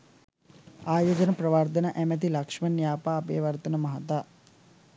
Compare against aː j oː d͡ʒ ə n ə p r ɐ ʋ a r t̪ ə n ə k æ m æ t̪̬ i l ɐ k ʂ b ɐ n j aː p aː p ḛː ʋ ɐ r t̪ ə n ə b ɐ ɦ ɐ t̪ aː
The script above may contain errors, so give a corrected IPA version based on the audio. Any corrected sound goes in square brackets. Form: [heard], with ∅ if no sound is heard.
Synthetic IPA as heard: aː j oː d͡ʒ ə n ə p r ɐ ʋ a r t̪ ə n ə [ʔ] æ m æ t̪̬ i l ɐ k ʂ [m] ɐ n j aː p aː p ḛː ʋ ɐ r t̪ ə n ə [m] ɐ ɦ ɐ t̪ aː